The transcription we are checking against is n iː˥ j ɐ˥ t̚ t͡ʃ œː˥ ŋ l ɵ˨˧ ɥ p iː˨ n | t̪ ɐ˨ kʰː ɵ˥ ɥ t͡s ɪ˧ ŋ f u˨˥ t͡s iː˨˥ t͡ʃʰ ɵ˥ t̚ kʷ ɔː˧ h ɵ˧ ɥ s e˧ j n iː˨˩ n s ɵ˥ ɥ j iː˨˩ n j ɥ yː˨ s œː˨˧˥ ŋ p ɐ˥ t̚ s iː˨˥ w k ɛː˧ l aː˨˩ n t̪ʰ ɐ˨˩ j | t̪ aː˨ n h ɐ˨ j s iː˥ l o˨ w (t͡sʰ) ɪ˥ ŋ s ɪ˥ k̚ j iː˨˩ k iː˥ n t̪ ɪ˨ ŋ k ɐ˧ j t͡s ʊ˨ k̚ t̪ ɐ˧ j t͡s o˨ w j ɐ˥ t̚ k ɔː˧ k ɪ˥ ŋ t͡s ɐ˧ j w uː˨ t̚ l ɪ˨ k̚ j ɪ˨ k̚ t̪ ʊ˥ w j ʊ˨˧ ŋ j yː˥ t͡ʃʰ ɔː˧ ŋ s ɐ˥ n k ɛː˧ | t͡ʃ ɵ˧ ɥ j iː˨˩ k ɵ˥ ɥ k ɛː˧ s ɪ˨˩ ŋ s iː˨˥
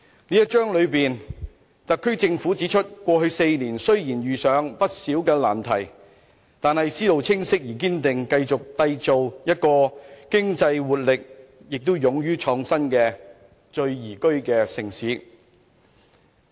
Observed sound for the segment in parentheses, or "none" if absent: t͡sʰ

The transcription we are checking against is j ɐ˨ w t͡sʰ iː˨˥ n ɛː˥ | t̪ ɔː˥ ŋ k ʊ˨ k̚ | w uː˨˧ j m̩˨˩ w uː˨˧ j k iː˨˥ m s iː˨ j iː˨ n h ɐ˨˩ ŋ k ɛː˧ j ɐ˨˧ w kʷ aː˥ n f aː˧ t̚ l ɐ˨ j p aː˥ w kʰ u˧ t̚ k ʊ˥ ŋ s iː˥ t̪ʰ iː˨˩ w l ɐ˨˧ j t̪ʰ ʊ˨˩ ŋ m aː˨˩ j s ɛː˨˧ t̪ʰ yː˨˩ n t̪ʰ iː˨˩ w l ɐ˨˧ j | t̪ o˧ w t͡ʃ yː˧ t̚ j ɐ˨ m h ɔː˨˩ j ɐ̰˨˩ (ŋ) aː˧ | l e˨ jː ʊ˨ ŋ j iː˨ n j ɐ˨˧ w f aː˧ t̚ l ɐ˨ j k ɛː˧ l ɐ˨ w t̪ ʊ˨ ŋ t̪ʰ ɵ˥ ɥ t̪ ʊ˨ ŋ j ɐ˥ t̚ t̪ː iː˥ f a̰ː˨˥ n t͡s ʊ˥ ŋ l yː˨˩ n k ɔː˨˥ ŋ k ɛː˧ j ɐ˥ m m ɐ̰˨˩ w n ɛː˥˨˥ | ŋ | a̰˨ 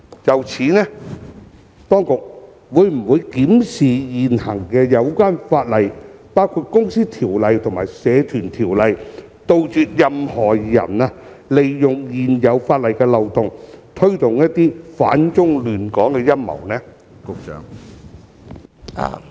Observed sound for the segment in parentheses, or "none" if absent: n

